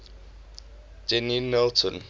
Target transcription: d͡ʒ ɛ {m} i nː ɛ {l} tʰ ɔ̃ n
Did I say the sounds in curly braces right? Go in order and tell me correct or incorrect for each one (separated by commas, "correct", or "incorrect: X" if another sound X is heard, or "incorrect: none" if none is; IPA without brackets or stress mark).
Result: incorrect: n, correct